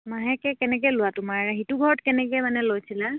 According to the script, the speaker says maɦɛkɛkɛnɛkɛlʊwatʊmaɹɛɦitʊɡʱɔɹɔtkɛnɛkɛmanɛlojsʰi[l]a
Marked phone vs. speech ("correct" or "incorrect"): correct